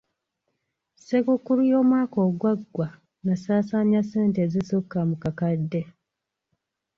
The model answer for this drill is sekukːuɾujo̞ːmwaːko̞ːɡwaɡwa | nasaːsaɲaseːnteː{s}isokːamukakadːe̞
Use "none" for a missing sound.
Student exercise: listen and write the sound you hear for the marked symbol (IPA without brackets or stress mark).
z